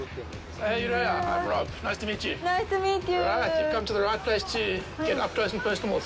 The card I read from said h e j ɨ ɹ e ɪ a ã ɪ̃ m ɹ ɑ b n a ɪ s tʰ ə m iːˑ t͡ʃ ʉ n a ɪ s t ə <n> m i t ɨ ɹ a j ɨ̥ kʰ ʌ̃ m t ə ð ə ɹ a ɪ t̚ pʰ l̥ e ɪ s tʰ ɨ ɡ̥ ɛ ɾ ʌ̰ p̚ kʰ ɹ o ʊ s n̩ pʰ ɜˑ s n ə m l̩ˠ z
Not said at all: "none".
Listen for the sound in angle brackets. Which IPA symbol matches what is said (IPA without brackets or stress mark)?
none